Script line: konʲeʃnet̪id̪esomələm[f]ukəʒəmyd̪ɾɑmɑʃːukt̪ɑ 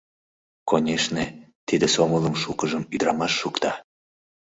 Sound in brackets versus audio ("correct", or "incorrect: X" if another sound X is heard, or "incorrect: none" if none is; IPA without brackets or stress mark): incorrect: ʃ